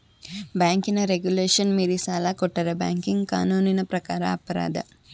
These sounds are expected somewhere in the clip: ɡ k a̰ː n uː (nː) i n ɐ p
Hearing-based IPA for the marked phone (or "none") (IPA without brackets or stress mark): n